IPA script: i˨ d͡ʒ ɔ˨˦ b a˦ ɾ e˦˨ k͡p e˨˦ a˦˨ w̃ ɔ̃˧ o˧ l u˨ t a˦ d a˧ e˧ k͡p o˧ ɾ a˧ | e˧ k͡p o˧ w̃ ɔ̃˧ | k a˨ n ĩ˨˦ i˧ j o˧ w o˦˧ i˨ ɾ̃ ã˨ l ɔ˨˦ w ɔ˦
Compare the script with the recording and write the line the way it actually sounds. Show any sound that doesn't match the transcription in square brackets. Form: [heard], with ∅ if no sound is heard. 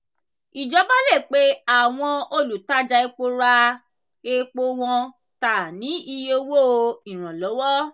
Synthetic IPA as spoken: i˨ d͡ʒ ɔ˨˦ b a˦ [l] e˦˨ k͡p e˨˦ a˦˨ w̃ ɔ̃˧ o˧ l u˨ t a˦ [d͡ʒ] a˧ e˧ k͡p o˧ ɾ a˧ | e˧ k͡p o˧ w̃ ɔ̃˧ | [t] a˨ n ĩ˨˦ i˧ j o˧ w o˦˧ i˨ ɾ̃ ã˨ l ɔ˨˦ w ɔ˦